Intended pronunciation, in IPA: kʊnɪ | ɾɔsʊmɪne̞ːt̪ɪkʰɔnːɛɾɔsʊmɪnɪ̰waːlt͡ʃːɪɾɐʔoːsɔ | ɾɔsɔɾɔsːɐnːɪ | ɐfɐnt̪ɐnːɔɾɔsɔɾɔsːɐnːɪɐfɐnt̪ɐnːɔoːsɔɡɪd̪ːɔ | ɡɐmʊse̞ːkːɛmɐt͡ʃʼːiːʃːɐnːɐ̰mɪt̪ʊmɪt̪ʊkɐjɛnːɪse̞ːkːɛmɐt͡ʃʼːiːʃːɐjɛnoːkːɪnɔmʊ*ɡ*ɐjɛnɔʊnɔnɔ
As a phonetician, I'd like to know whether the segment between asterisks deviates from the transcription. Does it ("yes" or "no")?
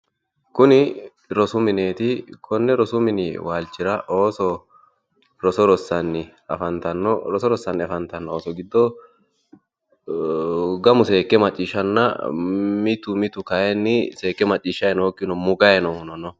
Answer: no